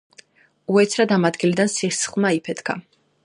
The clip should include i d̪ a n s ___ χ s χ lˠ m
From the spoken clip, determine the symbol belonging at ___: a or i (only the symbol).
i